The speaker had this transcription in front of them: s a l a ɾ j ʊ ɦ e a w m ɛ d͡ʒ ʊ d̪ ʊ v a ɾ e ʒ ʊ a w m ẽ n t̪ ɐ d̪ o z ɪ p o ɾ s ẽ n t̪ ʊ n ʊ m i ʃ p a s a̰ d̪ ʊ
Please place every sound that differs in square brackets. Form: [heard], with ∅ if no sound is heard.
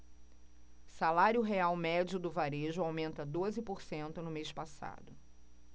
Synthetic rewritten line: s a l a ɾ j ʊ ɦ e a w m ɛ d͡ʒ ʊ d̪ ʊ v a ɾ e ʒ ʊ a w m ẽ n t̪ ɐ d̪ o z ɪ p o ɾ s ẽ n t̪ ʊ n ʊ m [e] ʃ p a s a̰ d̪ ʊ

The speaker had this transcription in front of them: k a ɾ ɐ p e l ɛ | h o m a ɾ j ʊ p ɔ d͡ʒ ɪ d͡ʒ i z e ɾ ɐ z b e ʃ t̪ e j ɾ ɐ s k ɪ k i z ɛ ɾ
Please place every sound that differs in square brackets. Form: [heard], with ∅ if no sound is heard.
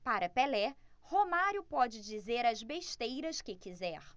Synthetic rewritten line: [p] a ɾ ɐ p e l ɛ | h o m a ɾ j ʊ p ɔ d͡ʒ ɪ d͡ʒ i z e ɾ ɐ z b e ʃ t̪ e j ɾ ɐ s k ɪ k i z ɛ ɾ

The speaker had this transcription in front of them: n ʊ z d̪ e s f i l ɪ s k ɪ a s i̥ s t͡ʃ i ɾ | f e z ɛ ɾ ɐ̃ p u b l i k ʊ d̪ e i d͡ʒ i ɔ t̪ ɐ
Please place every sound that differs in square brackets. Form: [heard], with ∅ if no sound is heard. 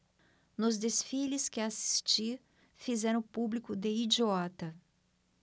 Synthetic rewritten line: n ʊ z d̪ e s f i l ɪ s k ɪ a s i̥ s t͡ʃ i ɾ | f [i] z ɛ ɾ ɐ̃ p u b l i k ʊ d̪ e i d͡ʒ i ɔ t̪ ɐ

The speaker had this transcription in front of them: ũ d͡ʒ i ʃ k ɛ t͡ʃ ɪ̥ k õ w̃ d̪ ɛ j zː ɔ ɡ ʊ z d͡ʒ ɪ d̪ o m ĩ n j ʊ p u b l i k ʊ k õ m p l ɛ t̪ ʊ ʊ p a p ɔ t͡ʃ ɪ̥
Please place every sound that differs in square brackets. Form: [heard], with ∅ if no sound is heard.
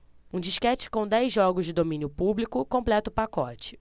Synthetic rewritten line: ũ d͡ʒ i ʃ k ɛ t͡ʃ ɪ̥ k õ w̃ d̪ ɛ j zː ɔ ɡ ʊ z d͡ʒ ɪ d̪ o m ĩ n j ʊ p u b l i k ʊ k õ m p l ɛ t̪ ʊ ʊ p a [k] ɔ t͡ʃ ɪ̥

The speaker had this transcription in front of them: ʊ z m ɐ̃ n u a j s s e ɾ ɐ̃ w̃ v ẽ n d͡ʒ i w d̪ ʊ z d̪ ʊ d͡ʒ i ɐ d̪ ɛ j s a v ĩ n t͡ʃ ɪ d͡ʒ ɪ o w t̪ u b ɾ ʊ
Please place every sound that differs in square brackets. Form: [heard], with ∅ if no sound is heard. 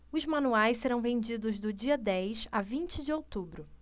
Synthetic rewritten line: ʊ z m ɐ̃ n u a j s s e ɾ ɐ̃ w̃ v ẽ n d͡ʒ i [∅] d̪ ʊ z d̪ ʊ d͡ʒ i ɐ d̪ ɛ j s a v ĩ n t͡ʃ ɪ d͡ʒ ɪ o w t̪ u b ɾ ʊ

